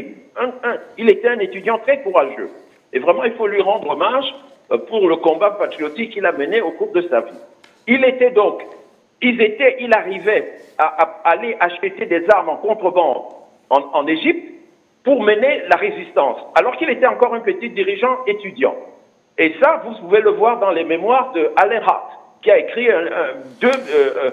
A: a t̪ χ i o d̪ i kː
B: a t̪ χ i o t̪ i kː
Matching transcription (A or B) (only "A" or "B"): B